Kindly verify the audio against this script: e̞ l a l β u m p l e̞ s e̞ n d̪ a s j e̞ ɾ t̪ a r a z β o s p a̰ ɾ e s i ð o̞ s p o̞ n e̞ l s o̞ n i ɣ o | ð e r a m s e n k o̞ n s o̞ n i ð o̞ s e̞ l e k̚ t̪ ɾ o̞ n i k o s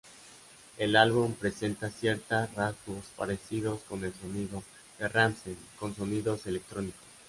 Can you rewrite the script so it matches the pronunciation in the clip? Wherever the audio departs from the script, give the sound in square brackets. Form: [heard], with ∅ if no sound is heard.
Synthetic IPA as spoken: e̞ l a l β u m p [ɾ] e̞ s e̞ n [t̪] a s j e̞ ɾ t̪ a r a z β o s p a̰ ɾ e s i ð o̞ s [k] o̞ n e̞ l s o̞ n i [ð] o | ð e r a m s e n k o̞ n s o̞ n i ð o̞ s e̞ l e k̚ t̪ ɾ o̞ n i k o s